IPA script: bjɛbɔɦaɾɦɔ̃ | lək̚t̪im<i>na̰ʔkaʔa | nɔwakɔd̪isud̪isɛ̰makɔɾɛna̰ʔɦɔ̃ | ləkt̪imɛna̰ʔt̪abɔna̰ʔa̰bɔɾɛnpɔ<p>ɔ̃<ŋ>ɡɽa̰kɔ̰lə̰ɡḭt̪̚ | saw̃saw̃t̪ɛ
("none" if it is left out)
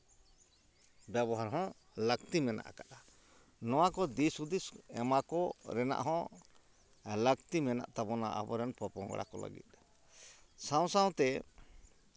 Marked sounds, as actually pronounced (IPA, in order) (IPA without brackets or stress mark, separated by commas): ɛ, p, ŋ